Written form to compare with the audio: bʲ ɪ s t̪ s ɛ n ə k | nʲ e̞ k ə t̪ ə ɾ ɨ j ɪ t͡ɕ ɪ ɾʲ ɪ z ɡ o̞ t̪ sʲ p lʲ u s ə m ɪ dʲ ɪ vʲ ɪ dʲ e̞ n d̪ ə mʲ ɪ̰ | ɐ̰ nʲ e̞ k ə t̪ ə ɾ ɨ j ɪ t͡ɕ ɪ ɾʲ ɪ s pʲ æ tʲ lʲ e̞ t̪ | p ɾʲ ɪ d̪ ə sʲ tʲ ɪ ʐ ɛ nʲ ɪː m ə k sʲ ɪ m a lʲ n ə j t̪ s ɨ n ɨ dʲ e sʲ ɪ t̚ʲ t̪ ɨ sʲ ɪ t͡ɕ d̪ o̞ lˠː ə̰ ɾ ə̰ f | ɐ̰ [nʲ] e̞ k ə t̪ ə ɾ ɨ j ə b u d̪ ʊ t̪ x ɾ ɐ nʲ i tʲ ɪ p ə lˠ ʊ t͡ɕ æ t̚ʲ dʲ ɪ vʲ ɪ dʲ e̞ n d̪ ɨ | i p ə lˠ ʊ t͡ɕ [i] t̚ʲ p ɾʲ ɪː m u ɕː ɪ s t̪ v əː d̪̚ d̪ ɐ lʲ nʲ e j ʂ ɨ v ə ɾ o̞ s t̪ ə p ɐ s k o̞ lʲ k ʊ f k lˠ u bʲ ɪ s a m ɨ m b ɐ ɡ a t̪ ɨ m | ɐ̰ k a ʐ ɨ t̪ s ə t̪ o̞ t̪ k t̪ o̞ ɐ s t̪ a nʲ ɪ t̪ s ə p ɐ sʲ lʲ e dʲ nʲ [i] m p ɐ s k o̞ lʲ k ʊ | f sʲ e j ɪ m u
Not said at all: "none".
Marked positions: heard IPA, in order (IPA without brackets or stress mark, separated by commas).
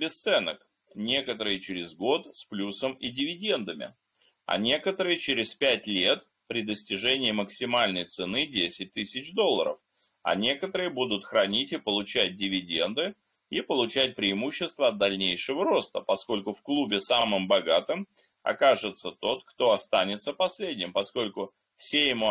nʲ, æ, ɪ